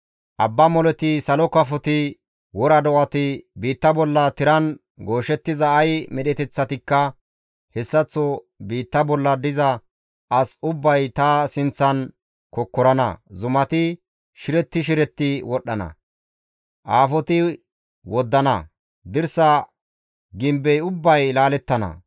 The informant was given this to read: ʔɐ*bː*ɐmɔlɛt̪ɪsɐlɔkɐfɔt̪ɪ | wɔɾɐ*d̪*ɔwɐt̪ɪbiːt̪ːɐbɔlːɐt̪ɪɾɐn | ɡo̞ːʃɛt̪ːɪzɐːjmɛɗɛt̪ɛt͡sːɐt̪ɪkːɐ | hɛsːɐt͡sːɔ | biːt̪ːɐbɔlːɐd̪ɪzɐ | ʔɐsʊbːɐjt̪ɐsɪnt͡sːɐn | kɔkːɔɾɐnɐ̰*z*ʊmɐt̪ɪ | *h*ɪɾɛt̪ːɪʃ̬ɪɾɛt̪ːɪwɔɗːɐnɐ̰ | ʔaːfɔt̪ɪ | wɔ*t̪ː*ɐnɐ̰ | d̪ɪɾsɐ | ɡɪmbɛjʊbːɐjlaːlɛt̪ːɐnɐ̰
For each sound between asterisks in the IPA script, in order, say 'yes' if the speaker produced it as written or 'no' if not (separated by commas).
yes, yes, yes, no, no